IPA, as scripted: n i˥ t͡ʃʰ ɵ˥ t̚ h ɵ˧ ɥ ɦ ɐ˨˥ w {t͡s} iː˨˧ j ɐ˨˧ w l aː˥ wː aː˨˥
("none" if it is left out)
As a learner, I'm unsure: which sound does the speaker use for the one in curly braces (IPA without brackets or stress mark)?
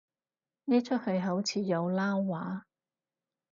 t͡sʰ